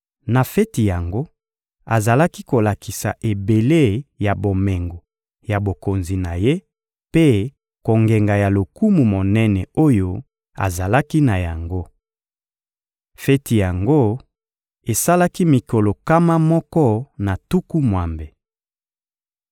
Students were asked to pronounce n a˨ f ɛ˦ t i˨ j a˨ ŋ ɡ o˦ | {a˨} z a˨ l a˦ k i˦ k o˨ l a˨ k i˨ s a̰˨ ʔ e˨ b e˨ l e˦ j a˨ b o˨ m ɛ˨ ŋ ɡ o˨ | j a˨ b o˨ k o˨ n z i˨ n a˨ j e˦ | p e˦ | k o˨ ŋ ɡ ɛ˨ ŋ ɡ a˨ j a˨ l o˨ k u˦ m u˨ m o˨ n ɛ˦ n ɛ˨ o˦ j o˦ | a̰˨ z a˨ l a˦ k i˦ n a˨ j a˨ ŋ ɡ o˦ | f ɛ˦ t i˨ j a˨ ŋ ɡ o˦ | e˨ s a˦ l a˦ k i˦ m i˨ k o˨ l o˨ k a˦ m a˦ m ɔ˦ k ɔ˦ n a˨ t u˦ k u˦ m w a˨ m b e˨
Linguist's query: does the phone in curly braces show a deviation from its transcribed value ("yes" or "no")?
no